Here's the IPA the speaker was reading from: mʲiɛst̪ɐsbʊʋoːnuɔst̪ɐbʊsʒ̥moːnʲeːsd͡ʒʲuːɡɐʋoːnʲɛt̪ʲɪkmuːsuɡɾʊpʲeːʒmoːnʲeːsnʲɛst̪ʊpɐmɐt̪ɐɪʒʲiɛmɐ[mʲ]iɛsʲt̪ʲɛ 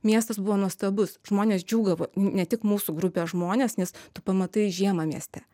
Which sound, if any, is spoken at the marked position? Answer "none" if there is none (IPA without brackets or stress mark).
mʲ